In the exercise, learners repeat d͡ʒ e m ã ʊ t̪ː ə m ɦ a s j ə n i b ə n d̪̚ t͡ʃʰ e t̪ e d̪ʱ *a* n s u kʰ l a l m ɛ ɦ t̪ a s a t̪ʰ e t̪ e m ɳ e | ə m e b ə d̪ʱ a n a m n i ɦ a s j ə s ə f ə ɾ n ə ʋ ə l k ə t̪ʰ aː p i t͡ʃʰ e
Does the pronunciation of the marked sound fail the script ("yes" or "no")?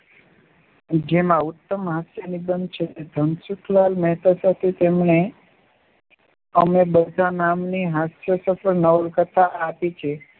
yes